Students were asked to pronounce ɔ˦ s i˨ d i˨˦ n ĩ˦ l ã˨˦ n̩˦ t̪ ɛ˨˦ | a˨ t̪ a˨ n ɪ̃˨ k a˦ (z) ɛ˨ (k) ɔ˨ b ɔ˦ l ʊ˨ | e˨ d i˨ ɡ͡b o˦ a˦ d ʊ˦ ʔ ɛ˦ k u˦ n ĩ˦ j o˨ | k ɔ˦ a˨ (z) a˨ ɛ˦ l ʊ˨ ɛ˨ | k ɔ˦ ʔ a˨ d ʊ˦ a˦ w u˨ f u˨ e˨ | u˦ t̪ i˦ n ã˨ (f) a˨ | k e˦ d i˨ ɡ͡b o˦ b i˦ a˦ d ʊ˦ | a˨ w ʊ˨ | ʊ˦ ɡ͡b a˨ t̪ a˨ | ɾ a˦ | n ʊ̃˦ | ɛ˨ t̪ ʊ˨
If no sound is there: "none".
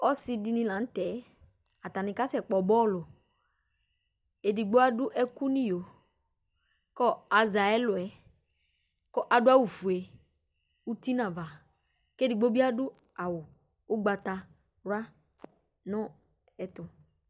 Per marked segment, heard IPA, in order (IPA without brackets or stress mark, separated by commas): s, k͡p, z, v